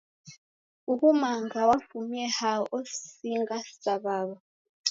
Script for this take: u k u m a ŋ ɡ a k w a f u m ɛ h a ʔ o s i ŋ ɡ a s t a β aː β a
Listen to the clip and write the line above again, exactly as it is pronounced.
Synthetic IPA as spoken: u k u m a ŋ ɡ a w a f u m ɛ h a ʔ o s i ŋ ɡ a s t a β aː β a